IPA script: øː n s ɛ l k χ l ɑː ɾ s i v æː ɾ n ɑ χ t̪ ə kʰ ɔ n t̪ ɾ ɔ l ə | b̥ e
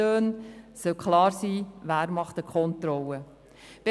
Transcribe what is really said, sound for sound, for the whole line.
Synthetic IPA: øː n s œ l k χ l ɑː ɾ s iː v æː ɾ m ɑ χ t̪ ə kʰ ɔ n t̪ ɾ ɔ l ə | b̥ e

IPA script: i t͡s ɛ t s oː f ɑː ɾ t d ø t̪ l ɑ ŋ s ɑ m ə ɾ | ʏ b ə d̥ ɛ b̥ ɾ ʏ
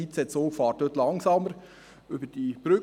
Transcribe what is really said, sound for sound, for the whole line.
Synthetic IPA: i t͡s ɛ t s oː f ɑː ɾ t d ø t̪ l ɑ ŋ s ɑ m ə ɾ | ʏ b ə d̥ i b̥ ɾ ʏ

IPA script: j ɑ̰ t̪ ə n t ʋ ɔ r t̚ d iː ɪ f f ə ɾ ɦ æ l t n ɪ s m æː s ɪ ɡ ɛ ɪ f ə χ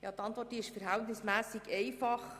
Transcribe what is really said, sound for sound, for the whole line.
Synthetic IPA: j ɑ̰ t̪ ɑ n t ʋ ɔ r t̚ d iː ɪ ʃ f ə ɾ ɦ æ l t n ɪ s m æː s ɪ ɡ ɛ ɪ f ɑ χ

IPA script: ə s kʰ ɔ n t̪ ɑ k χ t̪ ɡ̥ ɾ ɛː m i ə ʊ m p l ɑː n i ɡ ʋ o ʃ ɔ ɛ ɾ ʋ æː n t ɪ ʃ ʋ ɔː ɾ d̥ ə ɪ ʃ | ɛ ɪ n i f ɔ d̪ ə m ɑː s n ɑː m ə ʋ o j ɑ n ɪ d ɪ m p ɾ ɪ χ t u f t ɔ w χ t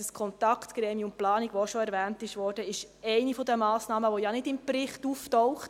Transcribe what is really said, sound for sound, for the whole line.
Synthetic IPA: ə s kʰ ɔ n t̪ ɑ k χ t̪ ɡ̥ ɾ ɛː m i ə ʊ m p l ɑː n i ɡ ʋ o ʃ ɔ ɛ ɾ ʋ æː n t ɪ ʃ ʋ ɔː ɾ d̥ ə ɪ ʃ | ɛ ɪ n i f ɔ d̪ ə m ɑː s n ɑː m ə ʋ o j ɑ n ɪ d ɪ m p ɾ ɪ χ t u f t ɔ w χ t

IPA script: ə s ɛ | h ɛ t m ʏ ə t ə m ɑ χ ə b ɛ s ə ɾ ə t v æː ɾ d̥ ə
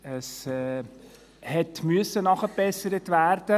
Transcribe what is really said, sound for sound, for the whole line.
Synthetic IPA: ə s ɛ | h ɛ t m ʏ ə s ə n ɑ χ ə b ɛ s ə ɾ ə t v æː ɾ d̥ ə

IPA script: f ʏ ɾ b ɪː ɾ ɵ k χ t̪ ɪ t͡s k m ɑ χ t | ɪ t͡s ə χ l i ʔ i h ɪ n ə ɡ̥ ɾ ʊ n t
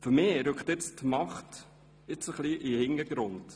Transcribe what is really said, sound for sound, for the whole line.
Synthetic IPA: f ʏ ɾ m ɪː ɾ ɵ k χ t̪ ɪ t͡s t m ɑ χ t | ɪ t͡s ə χ l i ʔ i h ɪ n ə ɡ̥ ɾ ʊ n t

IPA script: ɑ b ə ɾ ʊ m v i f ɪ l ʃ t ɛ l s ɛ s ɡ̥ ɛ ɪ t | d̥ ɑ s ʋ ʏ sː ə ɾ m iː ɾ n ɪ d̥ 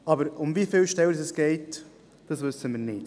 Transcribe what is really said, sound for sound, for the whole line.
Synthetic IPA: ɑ b ə ɾ ʊ m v i f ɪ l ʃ t ɛ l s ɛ s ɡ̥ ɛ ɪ t | d̥ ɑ s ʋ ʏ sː ə m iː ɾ n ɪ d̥

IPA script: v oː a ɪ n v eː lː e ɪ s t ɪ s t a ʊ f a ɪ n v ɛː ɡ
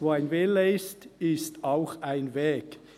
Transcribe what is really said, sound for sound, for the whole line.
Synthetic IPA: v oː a ɪ n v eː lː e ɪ s t ɪ s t a ʊ x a ɪ n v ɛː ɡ

